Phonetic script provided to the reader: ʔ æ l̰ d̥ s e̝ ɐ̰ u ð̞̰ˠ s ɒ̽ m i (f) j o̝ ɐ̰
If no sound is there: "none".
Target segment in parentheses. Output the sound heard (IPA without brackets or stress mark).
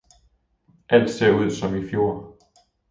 f